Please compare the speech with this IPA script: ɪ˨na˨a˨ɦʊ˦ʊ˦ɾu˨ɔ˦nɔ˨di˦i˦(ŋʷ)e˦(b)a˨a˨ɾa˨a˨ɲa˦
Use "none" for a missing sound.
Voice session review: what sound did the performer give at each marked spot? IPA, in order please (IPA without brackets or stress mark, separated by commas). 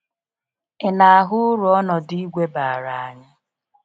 ɡʷ, b